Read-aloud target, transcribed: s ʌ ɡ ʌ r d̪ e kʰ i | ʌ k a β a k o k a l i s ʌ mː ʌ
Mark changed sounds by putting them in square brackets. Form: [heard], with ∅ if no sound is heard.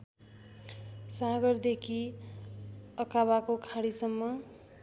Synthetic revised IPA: s [a] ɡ ʌ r d̪ e kʰ i | ʌ k a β a k o [kʰ] a [ɽ] i s ʌ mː ʌ

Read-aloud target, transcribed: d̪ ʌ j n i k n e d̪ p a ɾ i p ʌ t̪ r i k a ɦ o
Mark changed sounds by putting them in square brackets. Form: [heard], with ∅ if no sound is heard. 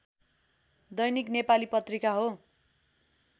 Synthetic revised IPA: d̪ ʌ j n i k n e [∅] p a [l] i p ʌ t̪ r i k a ɦ o

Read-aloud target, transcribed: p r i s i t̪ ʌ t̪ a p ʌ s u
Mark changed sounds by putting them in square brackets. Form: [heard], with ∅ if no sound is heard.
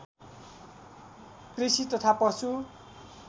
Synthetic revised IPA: [k] r i s i t̪ ʌ [t̪ʰ] a p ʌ s u

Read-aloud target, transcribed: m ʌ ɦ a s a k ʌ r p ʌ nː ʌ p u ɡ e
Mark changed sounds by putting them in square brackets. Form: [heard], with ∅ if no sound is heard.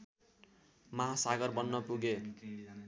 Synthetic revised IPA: m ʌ ɦ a s a [ɡ] ʌ r [b] ʌ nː ʌ p u ɡ e

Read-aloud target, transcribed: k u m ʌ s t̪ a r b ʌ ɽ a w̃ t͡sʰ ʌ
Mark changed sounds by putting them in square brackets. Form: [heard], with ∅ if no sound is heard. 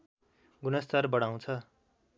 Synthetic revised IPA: [ɡ] u [n] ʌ s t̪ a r b ʌ ɽ a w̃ t͡sʰ ʌ

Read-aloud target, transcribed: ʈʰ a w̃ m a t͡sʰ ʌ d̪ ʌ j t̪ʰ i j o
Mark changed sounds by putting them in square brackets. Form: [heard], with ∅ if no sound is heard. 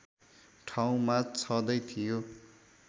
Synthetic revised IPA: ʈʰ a w̃ m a t͡sʰ ʌ d̪ ʌ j t̪ʰ i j o

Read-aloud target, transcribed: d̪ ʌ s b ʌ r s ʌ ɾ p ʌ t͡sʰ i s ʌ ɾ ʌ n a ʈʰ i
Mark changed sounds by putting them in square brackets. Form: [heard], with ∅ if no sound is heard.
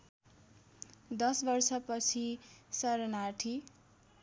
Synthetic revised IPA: d̪ ʌ s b ʌ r s ʌ [∅] p ʌ t͡sʰ i s ʌ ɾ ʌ n a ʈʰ i

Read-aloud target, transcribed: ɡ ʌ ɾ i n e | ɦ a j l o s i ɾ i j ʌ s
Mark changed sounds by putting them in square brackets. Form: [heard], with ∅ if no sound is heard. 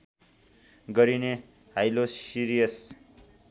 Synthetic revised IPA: ɡ ʌ ɾ i n e | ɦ a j l o s i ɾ i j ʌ s

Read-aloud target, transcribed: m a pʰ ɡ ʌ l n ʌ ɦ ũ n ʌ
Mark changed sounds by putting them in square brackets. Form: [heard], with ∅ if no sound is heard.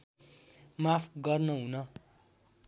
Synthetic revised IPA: m a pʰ ɡ ʌ [r] n ʌ ɦ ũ n ʌ

